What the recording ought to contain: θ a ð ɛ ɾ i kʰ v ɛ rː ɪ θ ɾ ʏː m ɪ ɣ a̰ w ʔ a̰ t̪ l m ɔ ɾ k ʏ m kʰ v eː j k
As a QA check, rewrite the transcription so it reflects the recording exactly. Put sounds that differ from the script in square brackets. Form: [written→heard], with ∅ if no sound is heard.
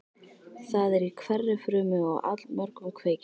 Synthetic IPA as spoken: θ a ð ɛ ɾ i kʰ v ɛ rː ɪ [θ→f] ɾ ʏː m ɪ ɣ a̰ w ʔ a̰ t̪ l m ɔ ɾ k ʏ m kʰ v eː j [k→c]